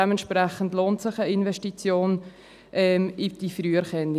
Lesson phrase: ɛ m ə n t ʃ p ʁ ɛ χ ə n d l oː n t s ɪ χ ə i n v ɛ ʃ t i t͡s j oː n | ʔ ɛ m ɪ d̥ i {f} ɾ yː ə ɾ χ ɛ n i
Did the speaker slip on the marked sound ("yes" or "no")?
no